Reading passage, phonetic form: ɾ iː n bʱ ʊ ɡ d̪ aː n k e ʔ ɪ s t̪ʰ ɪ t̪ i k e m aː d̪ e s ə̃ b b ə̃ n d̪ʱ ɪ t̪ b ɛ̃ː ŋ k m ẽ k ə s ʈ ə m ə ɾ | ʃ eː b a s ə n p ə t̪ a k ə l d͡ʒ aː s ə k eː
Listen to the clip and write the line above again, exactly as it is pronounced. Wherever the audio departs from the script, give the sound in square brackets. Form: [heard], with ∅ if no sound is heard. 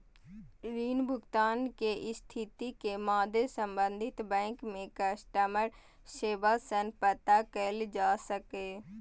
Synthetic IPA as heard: ɾ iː n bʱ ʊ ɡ [t̪] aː n k e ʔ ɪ s t̪ʰ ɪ t̪ i k e m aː d̪ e s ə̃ [m] b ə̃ n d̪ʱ ɪ t̪ b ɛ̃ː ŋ k m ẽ k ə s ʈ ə m ə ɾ | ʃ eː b a s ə n p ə t̪ a k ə l d͡ʒ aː s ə k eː